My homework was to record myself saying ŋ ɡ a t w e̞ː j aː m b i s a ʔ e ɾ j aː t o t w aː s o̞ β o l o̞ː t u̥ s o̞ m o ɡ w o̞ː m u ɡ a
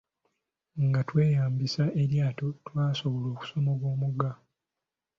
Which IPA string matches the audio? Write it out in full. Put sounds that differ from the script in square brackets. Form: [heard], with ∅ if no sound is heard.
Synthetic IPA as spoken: ŋ ɡ a t w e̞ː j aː m b i s a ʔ e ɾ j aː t o t w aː s o̞ β o l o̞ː [k] u̥ s o̞ m o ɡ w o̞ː m u ɡ a